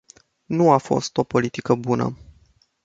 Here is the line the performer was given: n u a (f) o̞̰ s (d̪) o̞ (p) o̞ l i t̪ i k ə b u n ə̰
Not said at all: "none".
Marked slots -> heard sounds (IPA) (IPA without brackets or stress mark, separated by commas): f, t̪, p